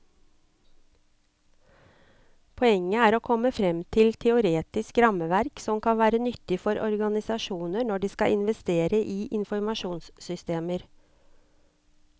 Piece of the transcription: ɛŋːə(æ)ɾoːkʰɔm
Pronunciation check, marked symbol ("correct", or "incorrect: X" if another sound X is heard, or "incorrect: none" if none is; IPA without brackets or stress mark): incorrect: æː